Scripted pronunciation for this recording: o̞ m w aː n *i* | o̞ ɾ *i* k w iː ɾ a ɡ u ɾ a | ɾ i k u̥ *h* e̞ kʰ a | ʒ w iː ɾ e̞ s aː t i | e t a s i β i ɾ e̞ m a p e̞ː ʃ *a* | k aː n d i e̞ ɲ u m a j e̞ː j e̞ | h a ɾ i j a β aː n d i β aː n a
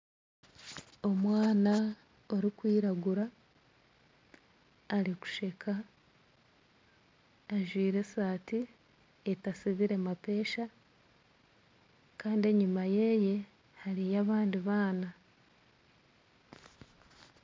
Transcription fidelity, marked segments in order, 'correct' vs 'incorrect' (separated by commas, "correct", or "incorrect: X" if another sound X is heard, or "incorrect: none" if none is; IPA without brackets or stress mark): incorrect: a, correct, incorrect: ʃ, correct